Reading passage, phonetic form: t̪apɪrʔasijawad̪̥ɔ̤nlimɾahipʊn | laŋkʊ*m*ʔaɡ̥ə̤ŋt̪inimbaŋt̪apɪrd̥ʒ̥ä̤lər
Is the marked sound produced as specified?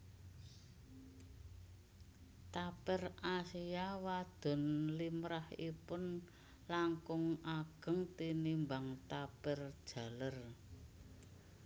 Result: no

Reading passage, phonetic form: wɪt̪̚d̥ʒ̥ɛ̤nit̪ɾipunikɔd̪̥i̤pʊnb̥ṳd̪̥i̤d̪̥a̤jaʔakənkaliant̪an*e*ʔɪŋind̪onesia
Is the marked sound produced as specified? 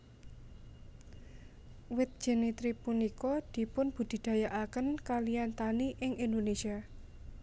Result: no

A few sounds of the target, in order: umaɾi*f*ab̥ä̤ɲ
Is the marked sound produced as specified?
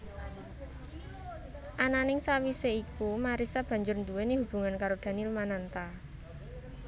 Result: no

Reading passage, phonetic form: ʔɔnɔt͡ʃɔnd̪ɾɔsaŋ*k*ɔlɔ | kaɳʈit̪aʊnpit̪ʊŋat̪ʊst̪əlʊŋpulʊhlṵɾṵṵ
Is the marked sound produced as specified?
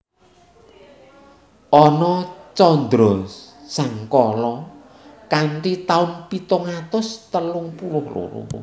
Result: yes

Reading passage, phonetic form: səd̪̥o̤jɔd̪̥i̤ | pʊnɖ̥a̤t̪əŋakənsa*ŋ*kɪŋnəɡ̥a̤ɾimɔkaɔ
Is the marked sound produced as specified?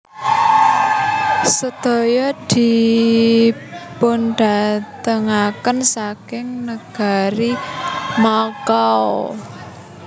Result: no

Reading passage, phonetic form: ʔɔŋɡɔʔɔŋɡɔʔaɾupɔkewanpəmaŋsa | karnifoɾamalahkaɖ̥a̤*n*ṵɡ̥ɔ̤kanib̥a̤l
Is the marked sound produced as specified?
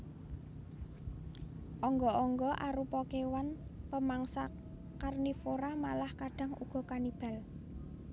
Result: no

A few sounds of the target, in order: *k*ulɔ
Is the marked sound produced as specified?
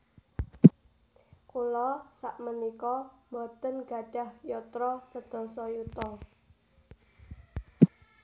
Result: yes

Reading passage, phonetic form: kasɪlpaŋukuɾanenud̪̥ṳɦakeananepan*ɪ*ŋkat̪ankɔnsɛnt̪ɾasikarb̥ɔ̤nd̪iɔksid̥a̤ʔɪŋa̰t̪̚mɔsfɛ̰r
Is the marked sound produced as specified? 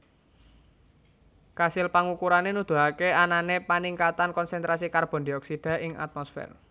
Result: no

